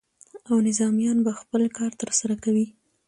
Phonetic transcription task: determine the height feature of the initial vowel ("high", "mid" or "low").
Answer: low